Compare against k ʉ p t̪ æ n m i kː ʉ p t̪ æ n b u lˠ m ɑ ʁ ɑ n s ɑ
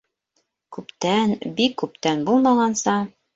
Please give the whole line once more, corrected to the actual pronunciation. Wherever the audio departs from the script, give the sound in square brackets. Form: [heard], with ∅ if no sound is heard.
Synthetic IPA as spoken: k ʉ p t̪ æ n [b] i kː ʉ p t̪ æ n b u lˠ m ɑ ʁ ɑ n s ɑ